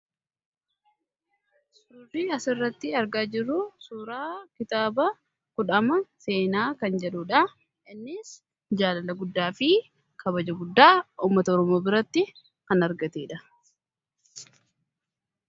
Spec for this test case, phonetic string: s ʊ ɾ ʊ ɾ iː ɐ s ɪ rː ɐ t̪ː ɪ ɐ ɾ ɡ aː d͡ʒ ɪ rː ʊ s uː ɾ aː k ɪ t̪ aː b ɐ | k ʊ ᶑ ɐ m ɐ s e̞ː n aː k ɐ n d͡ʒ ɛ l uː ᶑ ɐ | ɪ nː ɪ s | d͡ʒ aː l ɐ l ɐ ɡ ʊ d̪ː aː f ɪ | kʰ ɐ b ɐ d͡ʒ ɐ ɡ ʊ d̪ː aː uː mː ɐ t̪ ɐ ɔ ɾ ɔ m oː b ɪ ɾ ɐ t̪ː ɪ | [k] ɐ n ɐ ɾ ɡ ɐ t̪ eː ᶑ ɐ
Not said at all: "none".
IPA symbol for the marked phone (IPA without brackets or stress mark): k